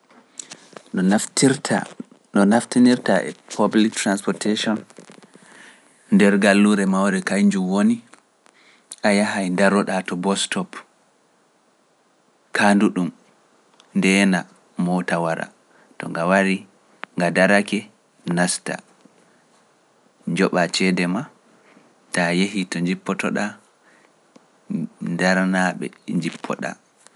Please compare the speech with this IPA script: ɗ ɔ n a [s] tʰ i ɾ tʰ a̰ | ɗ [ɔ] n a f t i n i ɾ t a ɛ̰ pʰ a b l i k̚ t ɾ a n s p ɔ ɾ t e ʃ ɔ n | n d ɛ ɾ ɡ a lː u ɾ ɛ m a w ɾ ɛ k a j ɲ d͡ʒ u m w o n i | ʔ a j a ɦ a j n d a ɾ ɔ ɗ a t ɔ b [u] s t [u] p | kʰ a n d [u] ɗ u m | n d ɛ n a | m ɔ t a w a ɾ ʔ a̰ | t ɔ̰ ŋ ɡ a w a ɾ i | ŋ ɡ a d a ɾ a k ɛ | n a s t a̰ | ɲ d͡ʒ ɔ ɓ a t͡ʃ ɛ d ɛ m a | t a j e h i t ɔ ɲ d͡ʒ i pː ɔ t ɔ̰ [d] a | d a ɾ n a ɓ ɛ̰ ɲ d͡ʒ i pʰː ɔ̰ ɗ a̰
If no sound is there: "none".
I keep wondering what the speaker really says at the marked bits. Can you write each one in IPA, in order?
f, ɔ, ɔ, ɔ, u, ɗ

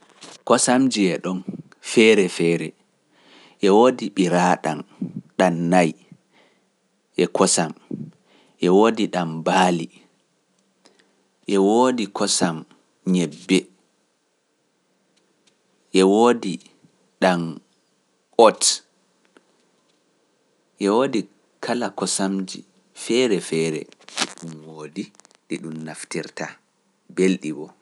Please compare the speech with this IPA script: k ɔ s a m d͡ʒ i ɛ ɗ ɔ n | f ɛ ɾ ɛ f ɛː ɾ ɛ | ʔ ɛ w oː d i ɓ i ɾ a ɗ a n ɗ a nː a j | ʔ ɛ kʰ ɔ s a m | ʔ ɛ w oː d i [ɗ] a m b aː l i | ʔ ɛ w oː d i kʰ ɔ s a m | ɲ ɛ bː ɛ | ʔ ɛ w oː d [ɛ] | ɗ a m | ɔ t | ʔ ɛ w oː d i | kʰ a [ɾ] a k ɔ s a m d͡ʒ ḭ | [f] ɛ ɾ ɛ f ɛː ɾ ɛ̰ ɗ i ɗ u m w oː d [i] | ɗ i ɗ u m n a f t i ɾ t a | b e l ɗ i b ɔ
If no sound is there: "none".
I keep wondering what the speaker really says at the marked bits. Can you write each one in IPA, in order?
ɗ, i, l, f, i

